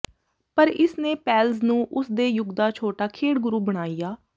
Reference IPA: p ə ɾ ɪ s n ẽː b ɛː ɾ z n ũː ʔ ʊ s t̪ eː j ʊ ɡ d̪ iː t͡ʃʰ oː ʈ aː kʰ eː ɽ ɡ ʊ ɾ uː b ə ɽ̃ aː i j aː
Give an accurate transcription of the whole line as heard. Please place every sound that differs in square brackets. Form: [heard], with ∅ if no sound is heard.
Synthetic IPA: p ə ɾ ɪ s n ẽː [p] ɛː [l] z n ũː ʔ ʊ s [d̪] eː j ʊ ɡ d̪ [aː] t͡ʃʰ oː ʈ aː kʰ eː ɽ ɡ ʊ ɾ uː b ə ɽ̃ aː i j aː